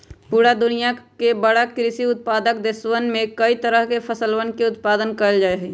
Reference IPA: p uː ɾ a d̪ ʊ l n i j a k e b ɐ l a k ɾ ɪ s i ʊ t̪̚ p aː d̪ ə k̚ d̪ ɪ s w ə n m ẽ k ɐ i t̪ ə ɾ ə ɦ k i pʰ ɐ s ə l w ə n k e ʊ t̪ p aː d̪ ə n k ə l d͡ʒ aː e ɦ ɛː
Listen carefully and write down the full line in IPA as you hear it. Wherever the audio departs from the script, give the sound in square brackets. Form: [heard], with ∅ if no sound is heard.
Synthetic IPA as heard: p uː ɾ a d̪ ʊ [∅] n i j a k e b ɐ [ɽ] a k ɾ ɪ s i ʊ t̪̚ p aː d̪ ə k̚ d̪ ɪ s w ə n m ẽ k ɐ i t̪ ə ɾ ə ɦ k [e] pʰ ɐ s ə l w ə n k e ʊ t̪ p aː d̪ ə n k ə l d͡ʒ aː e ɦ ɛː